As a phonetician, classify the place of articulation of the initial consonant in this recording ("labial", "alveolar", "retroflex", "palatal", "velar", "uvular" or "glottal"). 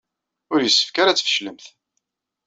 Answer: alveolar